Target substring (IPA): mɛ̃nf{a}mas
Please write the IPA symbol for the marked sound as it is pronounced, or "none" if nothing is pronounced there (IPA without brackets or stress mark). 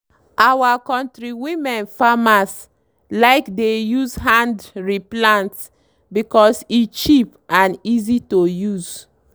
a